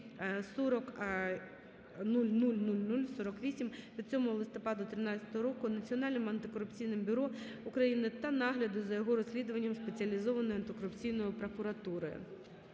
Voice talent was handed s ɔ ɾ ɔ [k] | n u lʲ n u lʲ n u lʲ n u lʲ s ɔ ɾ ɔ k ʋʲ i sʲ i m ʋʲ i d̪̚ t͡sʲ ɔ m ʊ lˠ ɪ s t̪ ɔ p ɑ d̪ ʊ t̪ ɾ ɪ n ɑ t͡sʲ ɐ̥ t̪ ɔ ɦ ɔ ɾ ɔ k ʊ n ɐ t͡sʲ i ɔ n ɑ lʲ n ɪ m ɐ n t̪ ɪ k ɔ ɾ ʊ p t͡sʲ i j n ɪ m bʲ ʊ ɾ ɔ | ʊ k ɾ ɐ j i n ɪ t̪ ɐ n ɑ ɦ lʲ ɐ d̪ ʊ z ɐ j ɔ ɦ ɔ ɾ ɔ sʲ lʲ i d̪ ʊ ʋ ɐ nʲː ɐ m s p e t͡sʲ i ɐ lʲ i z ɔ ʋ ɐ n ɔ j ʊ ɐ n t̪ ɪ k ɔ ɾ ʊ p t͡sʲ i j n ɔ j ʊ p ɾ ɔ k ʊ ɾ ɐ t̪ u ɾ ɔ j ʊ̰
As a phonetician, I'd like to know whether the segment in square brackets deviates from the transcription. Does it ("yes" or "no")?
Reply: no